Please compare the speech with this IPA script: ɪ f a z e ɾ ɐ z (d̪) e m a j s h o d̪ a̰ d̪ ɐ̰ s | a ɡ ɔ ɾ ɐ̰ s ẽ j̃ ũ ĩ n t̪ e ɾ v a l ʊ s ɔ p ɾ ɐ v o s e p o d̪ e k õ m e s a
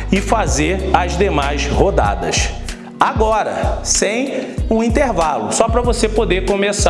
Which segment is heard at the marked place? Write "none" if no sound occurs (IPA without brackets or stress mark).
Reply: d̪